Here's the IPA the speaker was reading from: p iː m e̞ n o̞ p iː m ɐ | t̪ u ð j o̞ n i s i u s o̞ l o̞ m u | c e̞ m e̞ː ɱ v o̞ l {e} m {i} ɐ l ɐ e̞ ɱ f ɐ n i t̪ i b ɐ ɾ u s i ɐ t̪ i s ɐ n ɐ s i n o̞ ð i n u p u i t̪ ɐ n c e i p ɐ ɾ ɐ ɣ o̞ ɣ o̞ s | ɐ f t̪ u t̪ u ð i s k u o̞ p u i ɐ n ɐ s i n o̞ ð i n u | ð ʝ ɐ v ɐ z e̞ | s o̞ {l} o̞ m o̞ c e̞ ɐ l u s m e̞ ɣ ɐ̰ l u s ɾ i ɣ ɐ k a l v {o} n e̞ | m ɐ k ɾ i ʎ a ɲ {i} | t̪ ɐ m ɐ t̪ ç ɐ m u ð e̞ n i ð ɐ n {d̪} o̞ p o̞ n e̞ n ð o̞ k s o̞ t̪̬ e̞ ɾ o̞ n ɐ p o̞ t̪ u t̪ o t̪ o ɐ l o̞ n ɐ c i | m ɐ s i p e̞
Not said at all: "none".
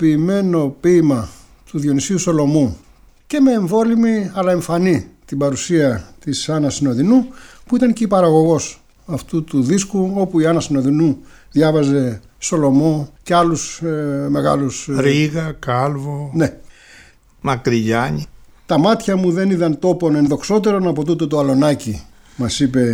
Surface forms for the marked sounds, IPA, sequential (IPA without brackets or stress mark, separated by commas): i, i, l, o, i, t̪